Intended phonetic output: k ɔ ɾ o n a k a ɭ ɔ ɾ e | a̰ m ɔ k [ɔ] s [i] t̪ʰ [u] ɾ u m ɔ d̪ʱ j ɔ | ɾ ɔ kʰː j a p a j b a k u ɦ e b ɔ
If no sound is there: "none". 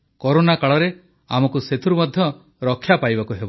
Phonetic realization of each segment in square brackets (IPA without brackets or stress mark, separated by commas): u, e, u